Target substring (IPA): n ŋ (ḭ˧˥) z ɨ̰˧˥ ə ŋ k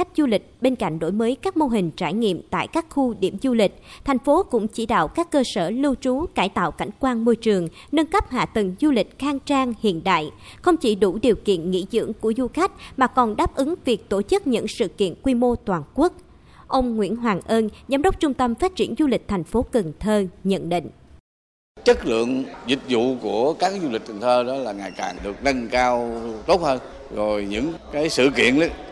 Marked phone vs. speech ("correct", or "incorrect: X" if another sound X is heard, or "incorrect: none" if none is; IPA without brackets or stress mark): correct